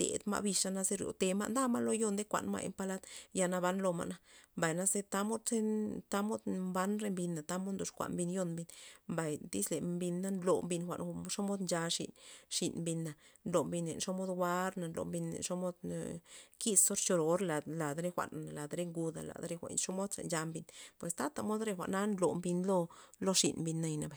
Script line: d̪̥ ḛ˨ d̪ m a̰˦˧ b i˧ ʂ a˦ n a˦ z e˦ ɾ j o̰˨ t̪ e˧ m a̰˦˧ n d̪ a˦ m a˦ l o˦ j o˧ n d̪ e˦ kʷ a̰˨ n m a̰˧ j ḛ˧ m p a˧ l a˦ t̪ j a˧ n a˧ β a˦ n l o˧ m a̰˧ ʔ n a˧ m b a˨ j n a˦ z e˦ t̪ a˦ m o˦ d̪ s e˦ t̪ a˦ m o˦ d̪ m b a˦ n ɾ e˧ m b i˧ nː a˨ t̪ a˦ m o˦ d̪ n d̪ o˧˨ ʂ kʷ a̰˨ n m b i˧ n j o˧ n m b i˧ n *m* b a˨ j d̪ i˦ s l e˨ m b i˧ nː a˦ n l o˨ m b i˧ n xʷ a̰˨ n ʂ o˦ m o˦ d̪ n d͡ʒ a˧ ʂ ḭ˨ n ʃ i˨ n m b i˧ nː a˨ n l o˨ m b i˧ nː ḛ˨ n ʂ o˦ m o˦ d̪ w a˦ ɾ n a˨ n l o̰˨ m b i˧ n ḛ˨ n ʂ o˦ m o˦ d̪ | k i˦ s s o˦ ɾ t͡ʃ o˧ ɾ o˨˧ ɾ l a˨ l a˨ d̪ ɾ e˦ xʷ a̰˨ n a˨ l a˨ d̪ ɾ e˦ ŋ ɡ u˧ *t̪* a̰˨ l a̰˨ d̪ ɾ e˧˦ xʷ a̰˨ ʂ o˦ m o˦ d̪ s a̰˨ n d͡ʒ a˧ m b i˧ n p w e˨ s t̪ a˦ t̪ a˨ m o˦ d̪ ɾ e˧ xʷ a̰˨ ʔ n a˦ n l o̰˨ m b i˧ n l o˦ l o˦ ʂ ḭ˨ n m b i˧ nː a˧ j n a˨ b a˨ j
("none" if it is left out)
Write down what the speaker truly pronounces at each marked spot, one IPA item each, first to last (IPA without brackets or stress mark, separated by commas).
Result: m, d̪